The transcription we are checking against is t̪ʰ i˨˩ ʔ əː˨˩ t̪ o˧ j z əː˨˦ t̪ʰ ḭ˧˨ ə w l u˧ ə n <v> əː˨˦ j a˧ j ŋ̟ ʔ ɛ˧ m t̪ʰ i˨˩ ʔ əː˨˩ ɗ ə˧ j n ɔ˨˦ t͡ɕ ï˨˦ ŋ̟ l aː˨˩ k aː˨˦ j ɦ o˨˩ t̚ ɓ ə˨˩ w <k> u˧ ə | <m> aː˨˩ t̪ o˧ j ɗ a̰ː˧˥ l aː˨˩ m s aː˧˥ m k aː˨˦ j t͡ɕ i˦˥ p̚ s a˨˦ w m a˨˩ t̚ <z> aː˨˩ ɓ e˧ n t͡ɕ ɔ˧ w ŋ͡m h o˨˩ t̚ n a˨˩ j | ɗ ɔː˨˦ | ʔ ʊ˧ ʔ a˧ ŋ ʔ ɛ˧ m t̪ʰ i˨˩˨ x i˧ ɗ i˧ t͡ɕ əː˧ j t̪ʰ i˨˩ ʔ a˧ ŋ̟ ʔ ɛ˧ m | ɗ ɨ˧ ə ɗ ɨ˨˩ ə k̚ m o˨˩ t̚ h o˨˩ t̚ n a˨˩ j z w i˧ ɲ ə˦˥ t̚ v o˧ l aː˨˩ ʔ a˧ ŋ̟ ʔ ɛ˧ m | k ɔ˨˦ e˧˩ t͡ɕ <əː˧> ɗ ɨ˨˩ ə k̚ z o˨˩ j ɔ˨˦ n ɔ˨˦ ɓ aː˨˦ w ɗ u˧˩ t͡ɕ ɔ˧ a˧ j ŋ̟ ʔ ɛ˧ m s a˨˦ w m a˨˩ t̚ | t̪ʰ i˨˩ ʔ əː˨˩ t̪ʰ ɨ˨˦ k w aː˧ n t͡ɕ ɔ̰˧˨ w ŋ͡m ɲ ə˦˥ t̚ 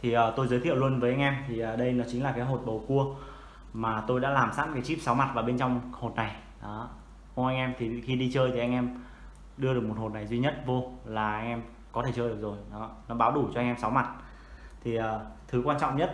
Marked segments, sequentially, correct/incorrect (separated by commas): correct, correct, correct, incorrect, correct